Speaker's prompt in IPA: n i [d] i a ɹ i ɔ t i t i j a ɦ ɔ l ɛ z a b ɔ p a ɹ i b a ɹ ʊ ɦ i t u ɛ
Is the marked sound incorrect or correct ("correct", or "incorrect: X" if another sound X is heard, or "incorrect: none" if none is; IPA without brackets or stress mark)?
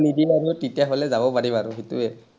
correct